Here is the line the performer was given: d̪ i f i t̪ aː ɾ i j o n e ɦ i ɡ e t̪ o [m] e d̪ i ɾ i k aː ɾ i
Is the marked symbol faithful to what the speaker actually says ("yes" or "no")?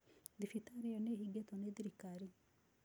no